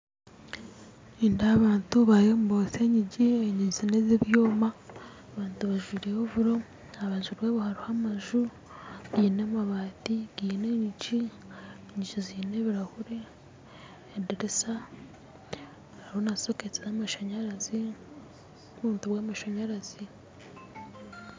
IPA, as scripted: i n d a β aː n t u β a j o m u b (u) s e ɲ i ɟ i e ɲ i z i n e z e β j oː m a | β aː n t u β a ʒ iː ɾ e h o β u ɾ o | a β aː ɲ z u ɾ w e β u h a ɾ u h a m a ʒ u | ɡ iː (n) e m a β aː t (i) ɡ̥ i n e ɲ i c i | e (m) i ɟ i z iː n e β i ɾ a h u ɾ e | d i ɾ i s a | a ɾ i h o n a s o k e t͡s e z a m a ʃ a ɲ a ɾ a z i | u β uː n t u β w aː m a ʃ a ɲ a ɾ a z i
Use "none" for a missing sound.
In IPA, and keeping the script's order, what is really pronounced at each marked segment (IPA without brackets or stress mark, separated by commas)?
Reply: o, n, i, ɲ